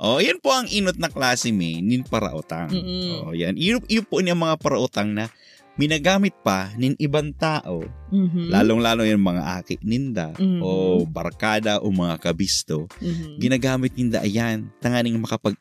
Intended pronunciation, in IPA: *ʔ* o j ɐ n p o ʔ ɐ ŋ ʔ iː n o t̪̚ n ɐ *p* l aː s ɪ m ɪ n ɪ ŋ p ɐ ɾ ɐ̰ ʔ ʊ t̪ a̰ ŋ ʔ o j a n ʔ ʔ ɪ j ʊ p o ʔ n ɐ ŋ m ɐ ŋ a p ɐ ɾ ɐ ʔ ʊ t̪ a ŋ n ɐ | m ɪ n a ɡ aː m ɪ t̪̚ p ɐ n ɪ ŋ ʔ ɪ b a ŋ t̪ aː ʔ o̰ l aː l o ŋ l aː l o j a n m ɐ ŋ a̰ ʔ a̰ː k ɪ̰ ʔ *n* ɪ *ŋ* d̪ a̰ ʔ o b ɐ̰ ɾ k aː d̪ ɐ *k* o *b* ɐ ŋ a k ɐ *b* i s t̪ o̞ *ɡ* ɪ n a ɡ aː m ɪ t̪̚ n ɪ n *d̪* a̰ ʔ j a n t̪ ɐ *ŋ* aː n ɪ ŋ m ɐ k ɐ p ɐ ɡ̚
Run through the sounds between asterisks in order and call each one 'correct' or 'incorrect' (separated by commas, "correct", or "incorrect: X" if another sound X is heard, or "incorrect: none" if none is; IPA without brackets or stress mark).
correct, incorrect: k, correct, incorrect: n, incorrect: ʔ, incorrect: m, correct, correct, correct, correct